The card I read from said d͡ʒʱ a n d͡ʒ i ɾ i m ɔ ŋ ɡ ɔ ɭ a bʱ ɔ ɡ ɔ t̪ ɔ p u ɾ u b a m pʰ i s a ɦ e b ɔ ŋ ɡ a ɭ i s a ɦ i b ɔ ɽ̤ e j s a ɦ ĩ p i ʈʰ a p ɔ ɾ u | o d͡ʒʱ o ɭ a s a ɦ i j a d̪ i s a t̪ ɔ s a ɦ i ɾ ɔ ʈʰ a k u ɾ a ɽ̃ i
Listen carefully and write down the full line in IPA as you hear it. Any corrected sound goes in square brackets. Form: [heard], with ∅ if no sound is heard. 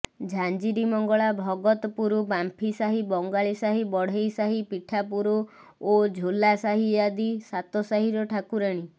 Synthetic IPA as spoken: d͡ʒʱ a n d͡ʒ i ɾ i m ɔ ŋ ɡ ɔ ɭ a bʱ ɔ ɡ ɔ t̪ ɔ p u ɾ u b a m pʰ i s a ɦ [i] b ɔ ŋ ɡ a ɭ i s a ɦ i b ɔ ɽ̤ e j s a ɦ [i] p i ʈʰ a p [u] ɾ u | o d͡ʒʱ o [l] a s a ɦ i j a d̪ i s a t̪ ɔ s a ɦ i ɾ ɔ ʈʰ a k u ɾ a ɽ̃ i